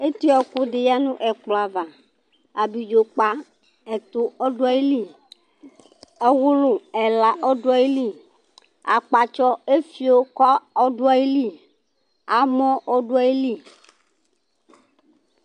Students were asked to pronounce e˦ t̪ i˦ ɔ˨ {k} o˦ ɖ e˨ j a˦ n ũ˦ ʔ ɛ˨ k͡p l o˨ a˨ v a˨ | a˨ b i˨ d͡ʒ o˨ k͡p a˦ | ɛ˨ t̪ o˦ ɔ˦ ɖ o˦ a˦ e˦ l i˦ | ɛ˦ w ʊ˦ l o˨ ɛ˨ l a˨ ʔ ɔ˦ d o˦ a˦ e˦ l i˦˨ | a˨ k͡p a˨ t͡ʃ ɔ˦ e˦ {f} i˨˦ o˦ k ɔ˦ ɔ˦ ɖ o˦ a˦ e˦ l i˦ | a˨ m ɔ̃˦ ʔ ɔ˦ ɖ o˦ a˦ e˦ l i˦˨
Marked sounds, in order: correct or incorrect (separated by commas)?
correct, correct